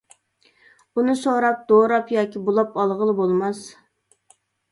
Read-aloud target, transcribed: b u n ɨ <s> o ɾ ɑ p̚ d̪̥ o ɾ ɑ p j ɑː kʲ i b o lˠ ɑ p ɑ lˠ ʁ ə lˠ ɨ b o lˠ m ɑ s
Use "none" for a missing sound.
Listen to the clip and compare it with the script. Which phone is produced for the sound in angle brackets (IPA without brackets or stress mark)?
s